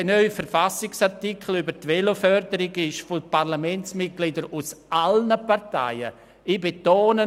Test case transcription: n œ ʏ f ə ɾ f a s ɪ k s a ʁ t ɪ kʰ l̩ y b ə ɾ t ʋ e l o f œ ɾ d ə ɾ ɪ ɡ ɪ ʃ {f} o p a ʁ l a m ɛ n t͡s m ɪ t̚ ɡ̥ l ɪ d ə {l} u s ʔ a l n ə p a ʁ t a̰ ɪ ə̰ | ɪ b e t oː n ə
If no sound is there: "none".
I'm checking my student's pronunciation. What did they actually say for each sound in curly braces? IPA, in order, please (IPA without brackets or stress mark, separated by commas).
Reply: f, ɾ